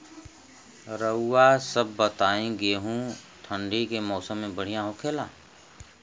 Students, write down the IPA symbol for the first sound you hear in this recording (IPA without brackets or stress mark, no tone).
ɾ